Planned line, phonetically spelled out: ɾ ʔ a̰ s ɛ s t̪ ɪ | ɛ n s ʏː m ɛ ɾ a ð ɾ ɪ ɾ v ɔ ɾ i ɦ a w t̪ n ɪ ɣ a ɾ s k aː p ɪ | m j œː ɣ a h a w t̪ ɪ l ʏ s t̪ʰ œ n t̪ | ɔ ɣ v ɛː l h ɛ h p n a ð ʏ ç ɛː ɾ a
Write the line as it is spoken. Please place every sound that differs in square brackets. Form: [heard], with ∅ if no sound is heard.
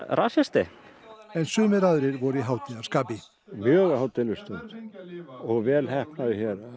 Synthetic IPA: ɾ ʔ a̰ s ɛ s t̪ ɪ | ɛ n s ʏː m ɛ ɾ a ð ɾ ɪ ɾ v ɔ ɾ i ɦ a w t̪ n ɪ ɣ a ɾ s k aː p ɪ | m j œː ɣ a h a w t̪ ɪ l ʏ s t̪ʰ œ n t̪ | ɔ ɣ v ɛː l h ɛ h p n a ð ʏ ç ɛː ɾ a